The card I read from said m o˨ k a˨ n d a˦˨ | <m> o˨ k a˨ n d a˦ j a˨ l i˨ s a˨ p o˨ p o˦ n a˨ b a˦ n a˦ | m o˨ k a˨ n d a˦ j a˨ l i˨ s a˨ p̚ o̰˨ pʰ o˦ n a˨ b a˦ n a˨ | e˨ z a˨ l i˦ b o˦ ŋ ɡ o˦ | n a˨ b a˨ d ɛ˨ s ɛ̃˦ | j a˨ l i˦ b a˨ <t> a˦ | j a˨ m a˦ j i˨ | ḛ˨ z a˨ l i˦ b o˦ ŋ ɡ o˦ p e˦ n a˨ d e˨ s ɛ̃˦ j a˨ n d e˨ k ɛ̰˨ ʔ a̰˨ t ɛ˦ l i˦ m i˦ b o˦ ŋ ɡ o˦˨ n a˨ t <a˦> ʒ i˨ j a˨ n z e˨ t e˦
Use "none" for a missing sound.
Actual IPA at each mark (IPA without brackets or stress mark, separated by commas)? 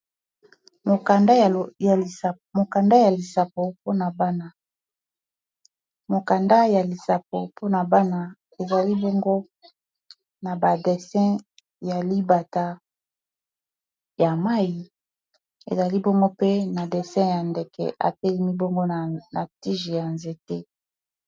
m, t, i˦